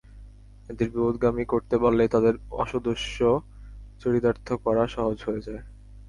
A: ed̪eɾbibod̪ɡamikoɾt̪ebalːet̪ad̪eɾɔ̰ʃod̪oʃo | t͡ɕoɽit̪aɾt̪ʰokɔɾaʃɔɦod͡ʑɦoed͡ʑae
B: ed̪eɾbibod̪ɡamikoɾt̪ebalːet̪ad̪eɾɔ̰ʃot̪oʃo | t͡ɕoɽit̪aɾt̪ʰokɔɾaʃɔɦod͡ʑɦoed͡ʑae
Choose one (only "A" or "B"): A